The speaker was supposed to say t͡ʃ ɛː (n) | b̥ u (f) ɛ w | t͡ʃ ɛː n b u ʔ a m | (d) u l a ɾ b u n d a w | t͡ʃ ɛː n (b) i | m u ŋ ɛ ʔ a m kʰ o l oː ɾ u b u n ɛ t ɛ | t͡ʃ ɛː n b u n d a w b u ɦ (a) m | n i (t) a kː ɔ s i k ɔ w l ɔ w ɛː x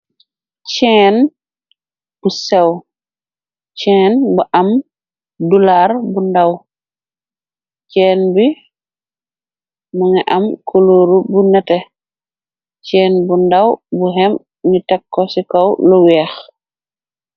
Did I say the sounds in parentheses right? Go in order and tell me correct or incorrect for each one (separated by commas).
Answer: correct, incorrect, correct, correct, incorrect, correct